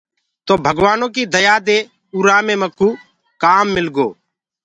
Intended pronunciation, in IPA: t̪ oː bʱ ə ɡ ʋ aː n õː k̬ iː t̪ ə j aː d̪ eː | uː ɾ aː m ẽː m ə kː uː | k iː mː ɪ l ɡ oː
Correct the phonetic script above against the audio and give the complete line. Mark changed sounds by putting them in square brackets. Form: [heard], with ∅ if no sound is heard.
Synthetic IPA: t̪ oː bʱ ə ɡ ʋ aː n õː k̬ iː [d̪] ə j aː d̪ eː | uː ɾ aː m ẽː m ə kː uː | k [aː] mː ɪ l ɡ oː